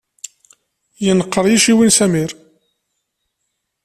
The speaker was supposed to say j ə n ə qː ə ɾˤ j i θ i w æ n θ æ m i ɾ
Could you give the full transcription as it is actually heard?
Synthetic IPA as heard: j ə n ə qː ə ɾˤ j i ʃ i w i n s æ m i ɾ